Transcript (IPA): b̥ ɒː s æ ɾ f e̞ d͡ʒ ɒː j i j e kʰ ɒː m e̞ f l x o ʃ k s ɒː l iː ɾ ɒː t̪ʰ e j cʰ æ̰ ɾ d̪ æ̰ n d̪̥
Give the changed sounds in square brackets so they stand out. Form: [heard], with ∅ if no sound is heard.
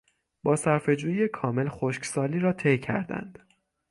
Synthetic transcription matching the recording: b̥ ɒː s æ ɾ f e̞ d͡ʒ [uː] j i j e kʰ ɒː m e̞ [∅] l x o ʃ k s ɒː l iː ɾ ɒː t̪ʰ e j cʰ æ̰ ɾ d̪ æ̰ n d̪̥